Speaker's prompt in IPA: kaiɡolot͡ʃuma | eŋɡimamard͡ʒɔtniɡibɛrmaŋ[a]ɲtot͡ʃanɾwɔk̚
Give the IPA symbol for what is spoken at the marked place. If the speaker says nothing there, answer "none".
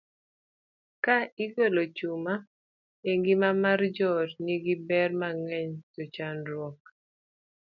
ɛ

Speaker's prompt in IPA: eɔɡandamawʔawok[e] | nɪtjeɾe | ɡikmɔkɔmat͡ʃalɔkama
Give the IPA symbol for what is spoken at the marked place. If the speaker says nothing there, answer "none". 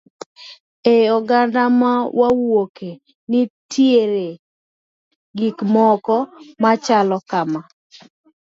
e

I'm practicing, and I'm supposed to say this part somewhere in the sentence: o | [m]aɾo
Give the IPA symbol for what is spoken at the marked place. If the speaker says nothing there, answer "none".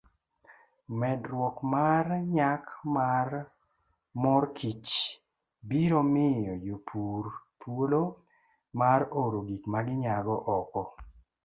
m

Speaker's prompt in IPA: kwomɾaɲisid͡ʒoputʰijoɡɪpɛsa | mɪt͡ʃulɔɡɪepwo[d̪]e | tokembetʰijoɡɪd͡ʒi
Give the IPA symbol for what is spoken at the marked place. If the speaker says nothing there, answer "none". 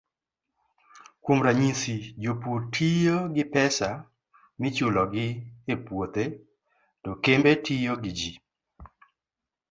t̪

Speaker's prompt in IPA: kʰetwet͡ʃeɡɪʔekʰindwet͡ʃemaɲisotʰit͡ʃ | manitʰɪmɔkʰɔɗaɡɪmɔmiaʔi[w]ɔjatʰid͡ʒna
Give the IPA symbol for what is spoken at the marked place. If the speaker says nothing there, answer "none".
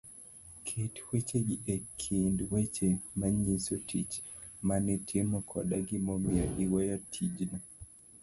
w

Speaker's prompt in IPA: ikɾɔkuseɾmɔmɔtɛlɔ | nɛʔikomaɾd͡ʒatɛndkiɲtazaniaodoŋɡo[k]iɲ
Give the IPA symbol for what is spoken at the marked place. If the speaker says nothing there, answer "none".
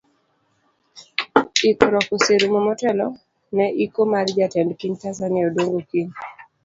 k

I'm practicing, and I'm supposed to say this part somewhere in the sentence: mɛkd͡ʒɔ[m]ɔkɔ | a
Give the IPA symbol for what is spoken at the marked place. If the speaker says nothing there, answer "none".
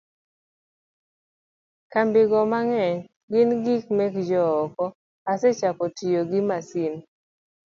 none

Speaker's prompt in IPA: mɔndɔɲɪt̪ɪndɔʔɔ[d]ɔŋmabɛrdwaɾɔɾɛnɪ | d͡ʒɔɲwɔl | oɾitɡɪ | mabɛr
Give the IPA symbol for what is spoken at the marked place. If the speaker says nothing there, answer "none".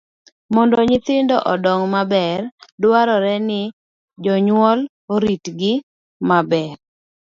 d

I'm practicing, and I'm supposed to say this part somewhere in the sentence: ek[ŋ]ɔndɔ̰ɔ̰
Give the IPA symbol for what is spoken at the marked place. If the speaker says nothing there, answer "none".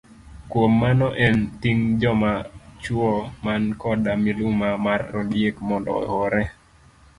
m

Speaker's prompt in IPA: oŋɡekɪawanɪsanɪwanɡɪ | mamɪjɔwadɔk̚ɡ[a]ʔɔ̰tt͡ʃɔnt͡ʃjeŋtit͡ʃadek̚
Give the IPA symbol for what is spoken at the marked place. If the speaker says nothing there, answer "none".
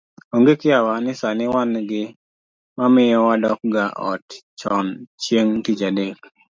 a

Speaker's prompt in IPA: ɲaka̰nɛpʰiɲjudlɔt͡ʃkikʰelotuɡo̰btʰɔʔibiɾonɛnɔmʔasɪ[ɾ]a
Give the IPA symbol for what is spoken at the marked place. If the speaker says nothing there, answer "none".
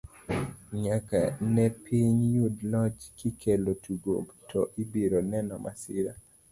ɾ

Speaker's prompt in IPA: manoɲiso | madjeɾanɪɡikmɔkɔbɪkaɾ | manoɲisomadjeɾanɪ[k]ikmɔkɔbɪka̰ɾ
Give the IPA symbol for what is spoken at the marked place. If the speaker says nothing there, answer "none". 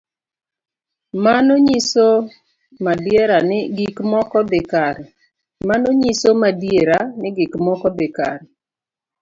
ɡ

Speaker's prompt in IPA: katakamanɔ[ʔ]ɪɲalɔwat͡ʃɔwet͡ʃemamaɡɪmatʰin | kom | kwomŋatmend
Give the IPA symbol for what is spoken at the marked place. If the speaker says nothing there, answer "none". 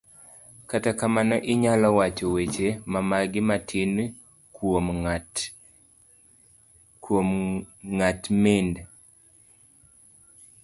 ʔ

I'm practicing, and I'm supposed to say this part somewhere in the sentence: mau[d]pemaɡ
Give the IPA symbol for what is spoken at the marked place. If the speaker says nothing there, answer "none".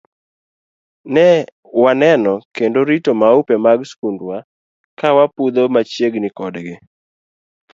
none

